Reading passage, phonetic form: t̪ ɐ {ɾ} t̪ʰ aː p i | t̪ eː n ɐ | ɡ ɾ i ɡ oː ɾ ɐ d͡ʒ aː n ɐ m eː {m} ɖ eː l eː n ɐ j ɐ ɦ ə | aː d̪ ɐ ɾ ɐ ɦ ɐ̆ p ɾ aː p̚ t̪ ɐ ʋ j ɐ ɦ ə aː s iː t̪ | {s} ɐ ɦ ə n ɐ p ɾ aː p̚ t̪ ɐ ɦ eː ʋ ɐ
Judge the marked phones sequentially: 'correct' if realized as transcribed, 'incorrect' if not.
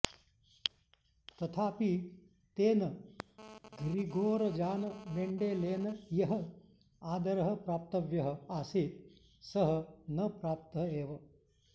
incorrect, incorrect, correct

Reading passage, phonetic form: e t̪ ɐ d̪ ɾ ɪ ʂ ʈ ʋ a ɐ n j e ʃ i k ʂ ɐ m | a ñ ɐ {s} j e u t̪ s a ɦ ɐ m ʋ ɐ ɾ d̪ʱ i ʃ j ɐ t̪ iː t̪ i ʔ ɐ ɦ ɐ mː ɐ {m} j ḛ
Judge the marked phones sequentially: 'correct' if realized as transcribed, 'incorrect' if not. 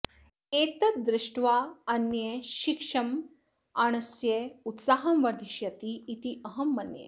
correct, incorrect

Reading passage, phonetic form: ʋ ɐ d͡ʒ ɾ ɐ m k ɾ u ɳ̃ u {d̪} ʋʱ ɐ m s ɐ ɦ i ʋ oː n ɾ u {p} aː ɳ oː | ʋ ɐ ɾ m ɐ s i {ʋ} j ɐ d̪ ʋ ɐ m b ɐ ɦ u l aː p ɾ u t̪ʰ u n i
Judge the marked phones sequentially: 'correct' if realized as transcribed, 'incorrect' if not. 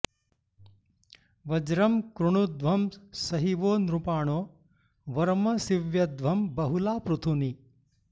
correct, correct, correct

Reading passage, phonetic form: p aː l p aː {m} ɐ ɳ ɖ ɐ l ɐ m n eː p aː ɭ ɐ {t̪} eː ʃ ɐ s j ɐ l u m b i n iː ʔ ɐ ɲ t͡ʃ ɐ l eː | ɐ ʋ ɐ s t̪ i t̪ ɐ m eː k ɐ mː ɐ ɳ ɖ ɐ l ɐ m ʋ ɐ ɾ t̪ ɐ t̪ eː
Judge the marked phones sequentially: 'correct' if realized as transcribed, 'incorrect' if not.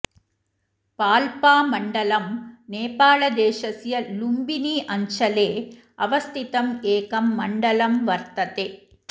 correct, incorrect

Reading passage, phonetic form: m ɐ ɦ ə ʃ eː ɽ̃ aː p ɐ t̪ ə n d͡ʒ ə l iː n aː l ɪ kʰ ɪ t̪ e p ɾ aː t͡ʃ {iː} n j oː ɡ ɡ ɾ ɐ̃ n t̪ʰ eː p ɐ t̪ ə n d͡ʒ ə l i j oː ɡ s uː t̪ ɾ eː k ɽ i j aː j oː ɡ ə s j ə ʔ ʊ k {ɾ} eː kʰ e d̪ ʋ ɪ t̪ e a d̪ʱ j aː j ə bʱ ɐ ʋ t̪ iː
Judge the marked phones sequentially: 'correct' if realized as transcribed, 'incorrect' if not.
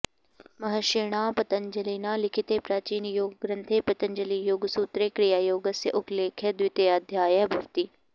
correct, incorrect

